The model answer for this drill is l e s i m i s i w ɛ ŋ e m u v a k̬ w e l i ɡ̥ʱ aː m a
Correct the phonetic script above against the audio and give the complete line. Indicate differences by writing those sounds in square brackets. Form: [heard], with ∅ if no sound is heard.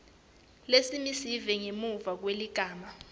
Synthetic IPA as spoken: l e s i m i s i [v] ɛ ŋ e m u v a k̬ w e l i ɡ̥ʱ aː m a